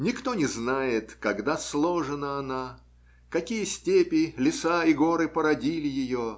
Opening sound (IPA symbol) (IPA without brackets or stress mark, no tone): nʲ